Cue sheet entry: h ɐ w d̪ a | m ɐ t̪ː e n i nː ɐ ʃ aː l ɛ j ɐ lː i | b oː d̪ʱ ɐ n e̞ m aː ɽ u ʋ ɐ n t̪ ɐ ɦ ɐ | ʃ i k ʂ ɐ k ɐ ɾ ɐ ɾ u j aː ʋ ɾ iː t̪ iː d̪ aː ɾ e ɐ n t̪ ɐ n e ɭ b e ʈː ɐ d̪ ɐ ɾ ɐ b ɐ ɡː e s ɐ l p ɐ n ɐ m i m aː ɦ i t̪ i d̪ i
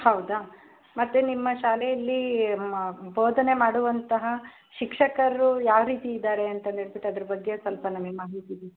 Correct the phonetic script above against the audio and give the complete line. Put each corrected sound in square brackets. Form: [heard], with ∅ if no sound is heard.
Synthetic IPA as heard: h ɐ w d̪ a | m ɐ t̪ː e n i [mː] ɐ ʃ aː l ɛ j ɐ lː i | b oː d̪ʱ ɐ n e̞ m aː ɽ u ʋ ɐ n t̪ ɐ ɦ ɐ | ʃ i k ʂ ɐ k ɐ ɾ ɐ ɾ u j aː ʋ ɾ iː t̪ iː d̪ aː ɾ e ɐ n t̪ ɐ n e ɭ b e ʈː ɐ d̪ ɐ ɾ ɐ b ɐ ɡː e s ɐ l p ɐ n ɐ m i m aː ɦ i t̪ i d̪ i

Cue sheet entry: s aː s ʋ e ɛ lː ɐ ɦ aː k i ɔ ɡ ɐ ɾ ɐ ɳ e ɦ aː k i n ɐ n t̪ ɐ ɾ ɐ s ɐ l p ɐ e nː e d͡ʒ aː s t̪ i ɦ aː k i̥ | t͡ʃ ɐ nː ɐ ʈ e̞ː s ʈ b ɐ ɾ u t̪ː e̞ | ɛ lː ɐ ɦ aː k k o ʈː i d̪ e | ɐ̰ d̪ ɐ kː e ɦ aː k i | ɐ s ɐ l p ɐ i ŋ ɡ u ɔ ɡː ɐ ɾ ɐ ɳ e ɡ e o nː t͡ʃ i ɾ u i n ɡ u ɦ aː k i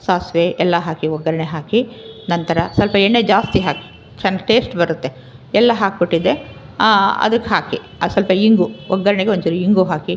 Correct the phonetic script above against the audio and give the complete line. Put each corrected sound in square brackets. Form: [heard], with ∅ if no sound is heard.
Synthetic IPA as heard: s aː s ʋ e ɛ lː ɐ ɦ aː k i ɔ ɡ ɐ ɾ ɐ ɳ e ɦ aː k i n ɐ n t̪ ɐ ɾ ɐ s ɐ l p ɐ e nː e d͡ʒ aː s t̪ i ɦ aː k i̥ | t͡ʃ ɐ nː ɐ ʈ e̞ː s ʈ b ɐ ɾ u t̪ː e̞ | ɛ lː ɐ ɦ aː k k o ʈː i d̪ e | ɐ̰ d̪ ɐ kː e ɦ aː k i | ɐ s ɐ l p ɐ i ŋ ɡ u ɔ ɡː ɐ ɾ ɐ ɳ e ɡ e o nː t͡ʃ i ɾ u i [ŋ] ɡ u ɦ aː k i

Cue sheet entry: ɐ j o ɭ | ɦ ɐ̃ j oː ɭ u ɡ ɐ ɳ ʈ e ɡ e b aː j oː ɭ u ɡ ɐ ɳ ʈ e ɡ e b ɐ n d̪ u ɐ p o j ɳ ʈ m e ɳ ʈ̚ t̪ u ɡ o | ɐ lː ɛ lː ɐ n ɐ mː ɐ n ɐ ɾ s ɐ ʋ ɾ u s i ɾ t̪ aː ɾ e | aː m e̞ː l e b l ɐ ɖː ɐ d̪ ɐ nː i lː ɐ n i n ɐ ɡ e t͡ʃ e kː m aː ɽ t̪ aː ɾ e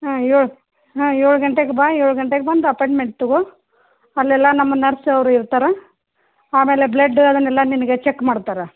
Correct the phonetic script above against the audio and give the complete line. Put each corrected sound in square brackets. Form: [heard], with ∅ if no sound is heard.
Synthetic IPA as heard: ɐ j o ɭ | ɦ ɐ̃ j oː ɭ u ɡ ɐ ɳ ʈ e ɡ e b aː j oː ɭ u ɡ ɐ ɳ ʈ e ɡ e b ɐ n d̪ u ɐ p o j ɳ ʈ m e ɳ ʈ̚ t̪ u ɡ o | ɐ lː ɛ lː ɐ n ɐ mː ɐ n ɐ ɾ s ɐ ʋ ɾ u [∅] i ɾ t̪ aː ɾ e | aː m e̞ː l e b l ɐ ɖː ɐ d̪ ɐ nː [ɛ] lː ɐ n i n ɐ ɡ e t͡ʃ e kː m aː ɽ t̪ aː ɾ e

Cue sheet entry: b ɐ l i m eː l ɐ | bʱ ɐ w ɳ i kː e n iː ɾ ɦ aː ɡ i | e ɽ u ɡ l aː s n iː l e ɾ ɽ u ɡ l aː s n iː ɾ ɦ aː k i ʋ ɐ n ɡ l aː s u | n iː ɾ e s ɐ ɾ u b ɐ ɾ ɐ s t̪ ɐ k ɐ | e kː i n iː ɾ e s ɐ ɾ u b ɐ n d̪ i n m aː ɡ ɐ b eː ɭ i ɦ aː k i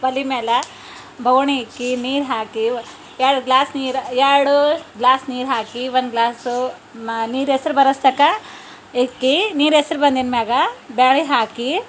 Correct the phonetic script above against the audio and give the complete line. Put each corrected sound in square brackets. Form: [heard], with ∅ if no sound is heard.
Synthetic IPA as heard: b ɐ l i m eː l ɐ | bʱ ɐ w ɳ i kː [i] n iː ɾ ɦ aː [k] i | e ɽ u ɡ l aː s n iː [ɾ] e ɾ ɽ u ɡ l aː s n iː ɾ ɦ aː k i ʋ ɐ n ɡ l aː s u | n iː ɾ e s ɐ ɾ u b ɐ ɾ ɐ s t̪ ɐ k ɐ | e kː i n iː ɾ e s ɐ ɾ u b ɐ n d̪ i n m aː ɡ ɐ b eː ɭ i ɦ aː k i

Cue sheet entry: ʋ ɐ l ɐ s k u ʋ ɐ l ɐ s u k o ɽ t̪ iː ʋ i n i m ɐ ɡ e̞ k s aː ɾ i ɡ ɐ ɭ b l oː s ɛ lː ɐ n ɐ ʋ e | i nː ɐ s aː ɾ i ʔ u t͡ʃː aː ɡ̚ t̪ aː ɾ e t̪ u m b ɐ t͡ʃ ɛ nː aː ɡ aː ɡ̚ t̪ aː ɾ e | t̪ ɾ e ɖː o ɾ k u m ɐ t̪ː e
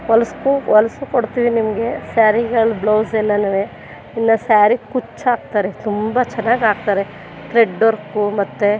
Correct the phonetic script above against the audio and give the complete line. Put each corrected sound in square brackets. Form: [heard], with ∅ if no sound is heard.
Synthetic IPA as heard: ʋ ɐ l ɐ s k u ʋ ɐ l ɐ s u k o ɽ t̪ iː ʋ i n i m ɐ ɡ e̞ [∅] s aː ɾ i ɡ ɐ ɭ b l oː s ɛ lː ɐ n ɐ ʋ e | i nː ɐ s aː ɾ i [k] u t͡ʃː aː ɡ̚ t̪ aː ɾ e t̪ u m b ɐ t͡ʃ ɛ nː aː ɡ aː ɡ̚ t̪ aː ɾ e | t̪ ɾ e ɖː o ɾ k u m ɐ t̪ː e

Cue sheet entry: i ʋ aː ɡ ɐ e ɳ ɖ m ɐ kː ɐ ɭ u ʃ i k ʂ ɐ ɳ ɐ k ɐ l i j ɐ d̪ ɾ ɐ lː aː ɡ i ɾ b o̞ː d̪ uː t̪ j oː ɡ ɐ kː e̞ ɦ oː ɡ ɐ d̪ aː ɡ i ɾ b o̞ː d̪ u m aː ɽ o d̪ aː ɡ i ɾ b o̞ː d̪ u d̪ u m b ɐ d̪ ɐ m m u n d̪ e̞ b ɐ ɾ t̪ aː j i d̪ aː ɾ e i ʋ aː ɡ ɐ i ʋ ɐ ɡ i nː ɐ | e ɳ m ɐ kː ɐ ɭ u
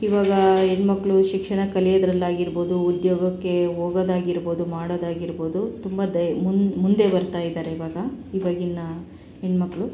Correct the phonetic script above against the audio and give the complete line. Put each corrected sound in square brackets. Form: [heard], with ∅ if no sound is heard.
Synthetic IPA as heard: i ʋ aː ɡ ɐ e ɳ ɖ m ɐ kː ɐ ɭ u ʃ i k ʂ ɐ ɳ ɐ k ɐ l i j ɐ d̪ ɾ ɐ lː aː ɡ i ɾ b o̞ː d̪ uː [d̪] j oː ɡ ɐ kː e̞ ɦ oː ɡ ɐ d̪ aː ɡ i ɾ b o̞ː d̪ u m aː ɽ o d̪ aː ɡ i ɾ b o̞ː d̪ u [t̪] u m b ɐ d̪ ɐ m m u n d̪ e̞ b ɐ ɾ t̪ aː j i d̪ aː ɾ e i ʋ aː ɡ ɐ i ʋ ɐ ɡ i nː ɐ | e ɳ m ɐ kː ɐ ɭ u

